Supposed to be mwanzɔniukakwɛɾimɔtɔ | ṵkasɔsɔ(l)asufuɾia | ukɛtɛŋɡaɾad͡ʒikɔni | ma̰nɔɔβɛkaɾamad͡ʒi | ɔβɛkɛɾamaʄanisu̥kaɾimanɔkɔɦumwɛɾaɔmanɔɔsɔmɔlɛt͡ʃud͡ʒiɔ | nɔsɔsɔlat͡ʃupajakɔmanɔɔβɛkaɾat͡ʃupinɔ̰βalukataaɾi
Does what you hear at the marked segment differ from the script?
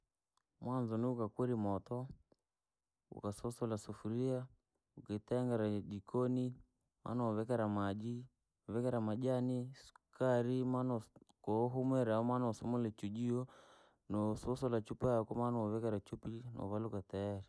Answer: no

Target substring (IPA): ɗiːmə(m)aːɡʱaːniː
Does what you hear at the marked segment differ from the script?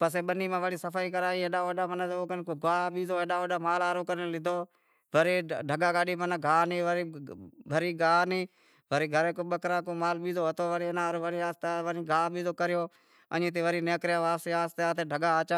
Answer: yes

